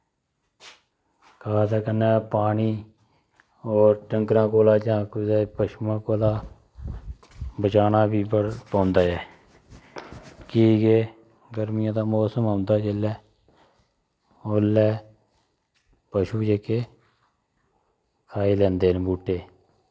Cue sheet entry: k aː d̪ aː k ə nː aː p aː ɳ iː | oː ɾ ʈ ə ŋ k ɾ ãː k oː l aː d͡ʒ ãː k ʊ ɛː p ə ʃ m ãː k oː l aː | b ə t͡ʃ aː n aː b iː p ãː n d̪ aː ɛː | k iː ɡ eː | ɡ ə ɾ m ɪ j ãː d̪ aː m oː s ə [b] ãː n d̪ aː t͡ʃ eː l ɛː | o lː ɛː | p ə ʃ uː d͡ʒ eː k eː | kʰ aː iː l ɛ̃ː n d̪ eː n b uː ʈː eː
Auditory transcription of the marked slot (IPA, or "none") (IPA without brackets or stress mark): m